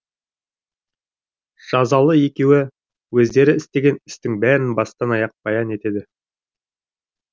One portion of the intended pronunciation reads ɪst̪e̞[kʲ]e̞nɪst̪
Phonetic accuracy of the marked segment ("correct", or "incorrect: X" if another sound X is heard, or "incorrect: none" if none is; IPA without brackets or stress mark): incorrect: ɡʲ